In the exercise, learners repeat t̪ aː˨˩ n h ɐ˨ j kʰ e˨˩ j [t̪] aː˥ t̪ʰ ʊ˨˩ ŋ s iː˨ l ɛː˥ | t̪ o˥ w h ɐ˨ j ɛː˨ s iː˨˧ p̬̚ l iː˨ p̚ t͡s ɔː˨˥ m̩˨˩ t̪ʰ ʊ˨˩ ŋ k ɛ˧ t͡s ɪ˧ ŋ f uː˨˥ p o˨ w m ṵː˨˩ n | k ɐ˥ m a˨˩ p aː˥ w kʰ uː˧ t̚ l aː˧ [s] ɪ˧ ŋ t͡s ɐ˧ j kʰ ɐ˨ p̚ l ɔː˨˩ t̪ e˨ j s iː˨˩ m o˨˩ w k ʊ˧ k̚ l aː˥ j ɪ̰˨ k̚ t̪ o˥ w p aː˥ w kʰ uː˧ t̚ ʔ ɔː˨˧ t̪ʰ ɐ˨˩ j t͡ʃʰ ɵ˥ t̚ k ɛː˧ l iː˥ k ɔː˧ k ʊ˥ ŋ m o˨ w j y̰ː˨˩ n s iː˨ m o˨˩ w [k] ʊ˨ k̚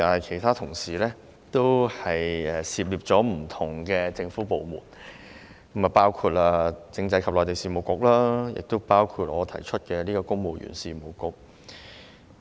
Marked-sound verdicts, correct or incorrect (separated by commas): incorrect, incorrect, correct